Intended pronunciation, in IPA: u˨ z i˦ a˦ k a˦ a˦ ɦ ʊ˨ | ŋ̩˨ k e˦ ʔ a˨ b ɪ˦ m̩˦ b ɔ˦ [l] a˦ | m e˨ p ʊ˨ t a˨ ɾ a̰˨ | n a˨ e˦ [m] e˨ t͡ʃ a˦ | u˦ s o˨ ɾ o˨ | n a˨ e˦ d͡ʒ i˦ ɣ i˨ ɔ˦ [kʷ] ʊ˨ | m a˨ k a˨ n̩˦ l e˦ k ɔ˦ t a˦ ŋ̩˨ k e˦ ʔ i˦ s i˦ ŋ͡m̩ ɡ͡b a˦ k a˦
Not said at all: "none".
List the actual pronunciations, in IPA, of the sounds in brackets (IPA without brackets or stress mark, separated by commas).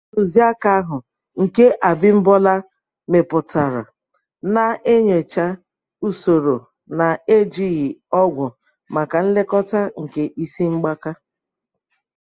l, ɲ, ɡʷ